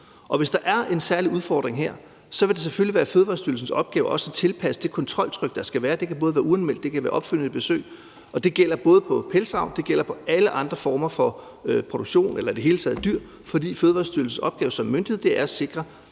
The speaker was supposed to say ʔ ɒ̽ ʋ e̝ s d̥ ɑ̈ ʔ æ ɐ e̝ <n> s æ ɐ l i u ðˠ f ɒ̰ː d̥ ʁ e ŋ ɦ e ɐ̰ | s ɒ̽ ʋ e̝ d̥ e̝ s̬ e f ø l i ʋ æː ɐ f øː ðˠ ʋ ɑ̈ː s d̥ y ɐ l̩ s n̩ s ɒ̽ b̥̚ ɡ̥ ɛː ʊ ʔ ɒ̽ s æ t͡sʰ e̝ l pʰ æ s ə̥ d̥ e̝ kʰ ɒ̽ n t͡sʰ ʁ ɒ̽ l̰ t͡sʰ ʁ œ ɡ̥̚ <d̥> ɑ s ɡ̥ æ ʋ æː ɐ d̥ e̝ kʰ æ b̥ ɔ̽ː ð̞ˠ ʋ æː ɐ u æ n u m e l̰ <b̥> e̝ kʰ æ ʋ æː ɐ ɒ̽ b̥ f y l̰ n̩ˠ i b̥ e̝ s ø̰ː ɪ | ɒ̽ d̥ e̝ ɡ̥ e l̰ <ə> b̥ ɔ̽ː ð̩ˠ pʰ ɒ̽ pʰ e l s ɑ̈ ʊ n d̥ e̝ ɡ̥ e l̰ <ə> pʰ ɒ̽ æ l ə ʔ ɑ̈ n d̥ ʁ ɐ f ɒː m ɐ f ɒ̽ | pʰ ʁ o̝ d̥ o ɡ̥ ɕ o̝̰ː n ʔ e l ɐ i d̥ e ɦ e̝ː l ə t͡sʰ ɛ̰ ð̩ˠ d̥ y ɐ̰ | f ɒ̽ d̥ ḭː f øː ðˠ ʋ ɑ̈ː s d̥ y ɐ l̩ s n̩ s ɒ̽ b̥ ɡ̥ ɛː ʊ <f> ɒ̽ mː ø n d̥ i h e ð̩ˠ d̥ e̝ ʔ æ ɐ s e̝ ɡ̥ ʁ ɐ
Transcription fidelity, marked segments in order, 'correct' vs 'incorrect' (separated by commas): correct, correct, incorrect, incorrect, incorrect, incorrect